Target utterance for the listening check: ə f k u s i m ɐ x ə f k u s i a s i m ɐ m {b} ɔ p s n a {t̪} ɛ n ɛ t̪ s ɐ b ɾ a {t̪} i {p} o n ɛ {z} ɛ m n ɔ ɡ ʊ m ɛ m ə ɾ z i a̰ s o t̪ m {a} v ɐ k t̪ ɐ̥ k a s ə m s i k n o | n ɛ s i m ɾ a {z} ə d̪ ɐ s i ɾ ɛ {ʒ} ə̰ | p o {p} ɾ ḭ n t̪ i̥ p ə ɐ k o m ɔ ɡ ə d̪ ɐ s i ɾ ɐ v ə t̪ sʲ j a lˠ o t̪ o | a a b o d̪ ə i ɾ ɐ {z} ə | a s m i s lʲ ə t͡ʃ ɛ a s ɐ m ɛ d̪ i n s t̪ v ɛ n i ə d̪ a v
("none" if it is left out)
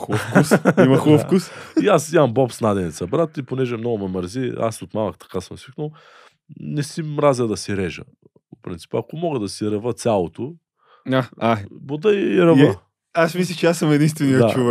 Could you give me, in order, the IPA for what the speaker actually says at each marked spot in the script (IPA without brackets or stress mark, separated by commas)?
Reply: b, d̪, t̪, p, ʒ, a, z, ʒ, p, v